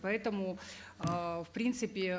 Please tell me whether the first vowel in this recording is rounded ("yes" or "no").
no